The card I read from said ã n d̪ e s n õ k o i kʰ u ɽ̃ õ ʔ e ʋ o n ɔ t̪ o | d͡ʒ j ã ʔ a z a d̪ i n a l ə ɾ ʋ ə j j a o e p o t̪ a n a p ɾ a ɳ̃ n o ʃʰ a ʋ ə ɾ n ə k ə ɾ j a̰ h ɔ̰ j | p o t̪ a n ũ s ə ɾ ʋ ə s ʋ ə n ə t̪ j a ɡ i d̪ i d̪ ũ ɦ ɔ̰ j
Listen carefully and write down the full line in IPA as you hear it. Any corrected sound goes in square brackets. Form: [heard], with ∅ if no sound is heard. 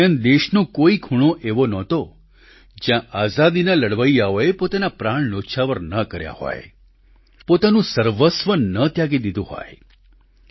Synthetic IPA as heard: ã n d̪ e [ʃ] n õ k o i kʰ u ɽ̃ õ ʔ e ʋ o n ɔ t̪ o | d͡ʒ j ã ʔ a z a d̪ i n a l ə [ɽ] ʋ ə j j a o e p o t̪ a n a p ɾ a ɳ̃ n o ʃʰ a ʋ ə ɾ n ə k ə ɾ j a̰ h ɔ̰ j | p o t̪ a n ũ s ə ɾ ʋ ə s ʋ ə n ə t̪ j a ɡ i d̪ i d̪ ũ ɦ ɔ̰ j

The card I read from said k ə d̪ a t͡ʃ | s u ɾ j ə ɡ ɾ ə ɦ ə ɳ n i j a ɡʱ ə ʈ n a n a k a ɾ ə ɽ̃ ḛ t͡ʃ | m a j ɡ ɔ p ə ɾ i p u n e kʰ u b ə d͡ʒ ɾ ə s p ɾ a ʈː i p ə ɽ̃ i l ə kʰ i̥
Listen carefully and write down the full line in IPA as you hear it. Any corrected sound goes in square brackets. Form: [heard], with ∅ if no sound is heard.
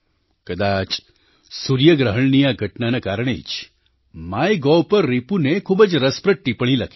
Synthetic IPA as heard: k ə d̪ a t͡ʃ | s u ɾ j ə ɡ ɾ ə ɦ ə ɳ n i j a ɡʱ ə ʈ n a n a k a ɾ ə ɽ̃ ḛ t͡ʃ | m a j ɡ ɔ p ə [ɾː] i p u n e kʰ u b ə d͡ʒ ɾ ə s p ɾ [ə] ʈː i p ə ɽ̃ i l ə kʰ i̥

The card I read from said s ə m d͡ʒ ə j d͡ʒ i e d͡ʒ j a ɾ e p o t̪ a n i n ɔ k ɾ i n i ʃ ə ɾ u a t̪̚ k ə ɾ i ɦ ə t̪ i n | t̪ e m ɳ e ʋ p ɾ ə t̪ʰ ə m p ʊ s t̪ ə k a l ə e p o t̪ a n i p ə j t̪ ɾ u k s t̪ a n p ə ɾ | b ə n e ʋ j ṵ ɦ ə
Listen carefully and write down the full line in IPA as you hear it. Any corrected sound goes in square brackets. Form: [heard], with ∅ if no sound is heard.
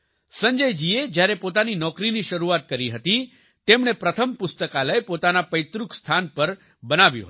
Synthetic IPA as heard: s ə [ɲ] d͡ʒ ə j d͡ʒ i e d͡ʒ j a ɾ e p o t̪ a n i n ɔ k ɾ i n i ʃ ə ɾ u a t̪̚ k ə ɾ i ɦ ə t̪ i [∅] | t̪ e m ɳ e [∅] p ɾ ə t̪ʰ ə m p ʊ s t̪ ə k a l ə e p o t̪ a n [a] p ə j t̪ ɾ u k s [t̪ʰ] a n p ə ɾ | b ə n [a] ʋ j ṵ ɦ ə

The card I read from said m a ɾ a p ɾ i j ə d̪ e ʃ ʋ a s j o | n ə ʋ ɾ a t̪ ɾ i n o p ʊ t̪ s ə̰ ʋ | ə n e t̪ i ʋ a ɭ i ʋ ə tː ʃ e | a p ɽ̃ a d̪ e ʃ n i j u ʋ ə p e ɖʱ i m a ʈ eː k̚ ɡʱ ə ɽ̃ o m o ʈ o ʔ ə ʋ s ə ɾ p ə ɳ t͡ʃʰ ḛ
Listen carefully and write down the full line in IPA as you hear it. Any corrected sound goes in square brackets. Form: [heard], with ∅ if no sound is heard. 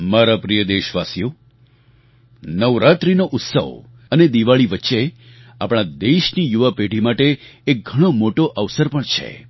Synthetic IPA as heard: m a ɾ a p ɾ i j ə d̪ e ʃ ʋ a s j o | n ə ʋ ɾ a t̪ ɾ i n o [ʔ] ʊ t̪ s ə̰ ʋ | ə n e [d̪] i ʋ a ɭ i ʋ ə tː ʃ e | a p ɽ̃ a d̪ e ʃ n i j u ʋ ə p e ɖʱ i m a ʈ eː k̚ ɡʱ ə ɽ̃ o m o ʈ o ʔ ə ʋ s ə ɾ p ə ɳ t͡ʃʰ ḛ

